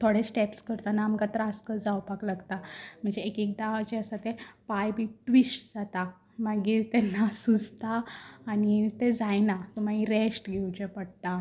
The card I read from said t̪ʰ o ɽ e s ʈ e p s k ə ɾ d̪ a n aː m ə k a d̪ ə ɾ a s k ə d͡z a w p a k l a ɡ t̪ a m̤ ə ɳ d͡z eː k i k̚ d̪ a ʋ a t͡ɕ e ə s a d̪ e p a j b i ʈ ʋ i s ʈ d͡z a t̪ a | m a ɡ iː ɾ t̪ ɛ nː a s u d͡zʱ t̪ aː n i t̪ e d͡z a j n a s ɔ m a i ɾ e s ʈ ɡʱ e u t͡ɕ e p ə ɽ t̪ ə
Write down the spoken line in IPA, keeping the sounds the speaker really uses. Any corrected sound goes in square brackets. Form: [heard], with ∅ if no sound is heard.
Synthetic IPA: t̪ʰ o ɽ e s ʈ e p s k ə ɾ [t̪] a n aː m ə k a [t̪] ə ɾ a s k ə d͡z a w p a k l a ɡ t̪ a m̤ ə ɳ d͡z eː k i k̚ d̪ a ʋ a t͡ɕ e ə s a [t̪] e p a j b i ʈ ʋ i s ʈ d͡z a t̪ a | m a ɡ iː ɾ t̪ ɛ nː a s u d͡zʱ t̪ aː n i t̪ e d͡z a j n a s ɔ m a i ɾ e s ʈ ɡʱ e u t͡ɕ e p ə ɽ t̪ [a]